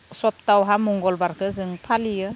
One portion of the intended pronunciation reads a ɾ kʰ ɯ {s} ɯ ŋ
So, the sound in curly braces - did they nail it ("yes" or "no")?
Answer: no